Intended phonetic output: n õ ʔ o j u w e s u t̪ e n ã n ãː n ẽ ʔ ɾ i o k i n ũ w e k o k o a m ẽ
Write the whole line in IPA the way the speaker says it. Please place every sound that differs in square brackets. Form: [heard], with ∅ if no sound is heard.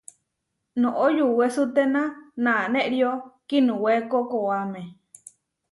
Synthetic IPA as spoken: n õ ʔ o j u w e s u t̪ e n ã n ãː n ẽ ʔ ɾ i o k i n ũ w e k o k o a m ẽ